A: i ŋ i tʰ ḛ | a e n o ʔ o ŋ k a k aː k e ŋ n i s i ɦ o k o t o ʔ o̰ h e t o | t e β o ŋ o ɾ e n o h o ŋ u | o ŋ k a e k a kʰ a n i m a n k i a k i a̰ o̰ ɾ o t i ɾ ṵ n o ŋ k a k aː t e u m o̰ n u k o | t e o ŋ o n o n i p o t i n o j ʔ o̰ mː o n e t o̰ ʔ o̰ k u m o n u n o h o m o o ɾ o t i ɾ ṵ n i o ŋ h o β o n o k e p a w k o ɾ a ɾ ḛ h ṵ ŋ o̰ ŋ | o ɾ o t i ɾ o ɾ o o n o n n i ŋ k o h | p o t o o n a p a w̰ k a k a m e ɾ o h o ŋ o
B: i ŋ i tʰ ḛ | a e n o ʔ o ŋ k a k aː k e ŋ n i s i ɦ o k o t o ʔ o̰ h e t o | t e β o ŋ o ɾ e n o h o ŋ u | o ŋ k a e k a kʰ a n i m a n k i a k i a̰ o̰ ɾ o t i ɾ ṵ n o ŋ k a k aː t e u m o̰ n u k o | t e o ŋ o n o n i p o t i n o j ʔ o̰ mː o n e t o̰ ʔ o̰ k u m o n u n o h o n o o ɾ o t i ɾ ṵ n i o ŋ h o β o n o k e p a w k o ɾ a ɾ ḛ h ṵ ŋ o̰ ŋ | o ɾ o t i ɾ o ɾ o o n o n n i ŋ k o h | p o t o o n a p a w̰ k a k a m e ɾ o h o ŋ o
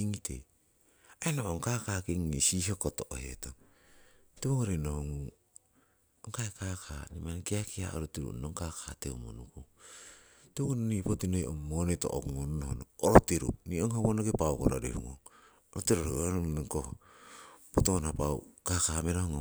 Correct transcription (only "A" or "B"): B